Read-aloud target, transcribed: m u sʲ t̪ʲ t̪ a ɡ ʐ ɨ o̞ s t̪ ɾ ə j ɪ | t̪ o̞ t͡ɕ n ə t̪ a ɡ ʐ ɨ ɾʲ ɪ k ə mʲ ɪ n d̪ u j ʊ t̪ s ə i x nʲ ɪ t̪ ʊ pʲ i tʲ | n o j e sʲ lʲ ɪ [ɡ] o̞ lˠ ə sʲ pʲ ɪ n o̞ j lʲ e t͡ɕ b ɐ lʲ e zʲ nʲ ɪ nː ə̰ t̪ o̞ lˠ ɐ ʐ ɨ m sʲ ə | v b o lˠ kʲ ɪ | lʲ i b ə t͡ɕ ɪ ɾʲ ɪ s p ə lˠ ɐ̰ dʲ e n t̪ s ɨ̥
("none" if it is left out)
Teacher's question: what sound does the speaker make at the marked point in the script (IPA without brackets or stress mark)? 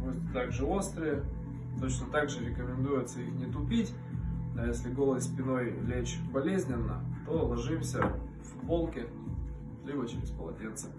ɡ